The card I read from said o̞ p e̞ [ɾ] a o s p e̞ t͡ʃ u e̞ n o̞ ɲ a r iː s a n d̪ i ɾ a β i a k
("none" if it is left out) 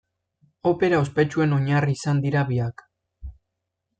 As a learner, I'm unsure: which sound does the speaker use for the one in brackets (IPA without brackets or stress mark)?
ɾ